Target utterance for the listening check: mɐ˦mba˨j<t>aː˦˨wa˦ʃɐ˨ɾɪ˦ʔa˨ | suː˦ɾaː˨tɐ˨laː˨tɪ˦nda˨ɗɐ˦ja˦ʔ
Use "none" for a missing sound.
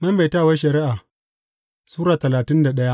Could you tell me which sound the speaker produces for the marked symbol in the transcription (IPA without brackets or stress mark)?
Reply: t